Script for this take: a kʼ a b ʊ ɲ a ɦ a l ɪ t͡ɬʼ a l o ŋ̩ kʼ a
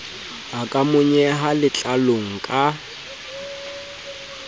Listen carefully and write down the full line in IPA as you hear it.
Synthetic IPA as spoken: a kʼ a m ʊ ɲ ɛ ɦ a l ɪ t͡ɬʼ a l o ŋ̩ kʼ a